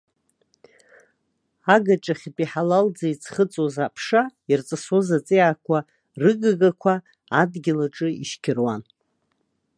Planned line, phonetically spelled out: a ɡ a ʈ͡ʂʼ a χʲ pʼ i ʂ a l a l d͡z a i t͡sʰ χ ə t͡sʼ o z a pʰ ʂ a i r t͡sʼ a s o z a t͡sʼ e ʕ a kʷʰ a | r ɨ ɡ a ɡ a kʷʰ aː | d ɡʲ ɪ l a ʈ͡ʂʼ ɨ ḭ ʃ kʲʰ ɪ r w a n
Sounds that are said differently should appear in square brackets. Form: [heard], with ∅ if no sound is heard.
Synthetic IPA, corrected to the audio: a ɡ a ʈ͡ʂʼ a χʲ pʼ i [ħ] a l a l d͡z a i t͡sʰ χ ə t͡sʼ o z a pʰ ʂ a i r t͡sʼ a s o z a t͡sʼ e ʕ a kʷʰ a | r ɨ ɡ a ɡ a kʷʰ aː | d ɡʲ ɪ l a ʈ͡ʂʼ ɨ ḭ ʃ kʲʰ ɪ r w a n

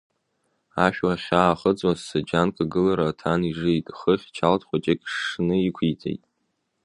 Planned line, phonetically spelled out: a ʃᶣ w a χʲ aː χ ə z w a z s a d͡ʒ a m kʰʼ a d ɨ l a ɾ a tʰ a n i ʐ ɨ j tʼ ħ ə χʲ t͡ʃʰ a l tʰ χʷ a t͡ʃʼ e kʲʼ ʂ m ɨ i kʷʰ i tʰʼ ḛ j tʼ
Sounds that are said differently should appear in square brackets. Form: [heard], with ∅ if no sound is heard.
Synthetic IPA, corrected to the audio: a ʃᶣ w a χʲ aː χ ə [d͡z] w a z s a d͡ʒ a [n] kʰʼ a [ɡ] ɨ l a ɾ a tʰ a n i ʐ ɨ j tʼ [χ] ə χʲ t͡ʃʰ a l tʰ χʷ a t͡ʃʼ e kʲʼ ʂ [n] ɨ i kʷʰ i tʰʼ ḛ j tʼ

